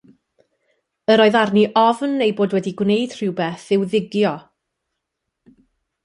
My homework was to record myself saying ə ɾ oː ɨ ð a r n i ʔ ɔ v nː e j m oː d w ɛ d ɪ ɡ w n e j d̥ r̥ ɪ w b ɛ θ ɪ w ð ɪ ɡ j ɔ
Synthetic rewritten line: ə ɾ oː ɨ ð a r n i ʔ ɔ v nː e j b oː d w ɛ d i ɡ w n e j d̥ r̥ ɪ w b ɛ θ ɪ w ð ɪ ɡ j ɔ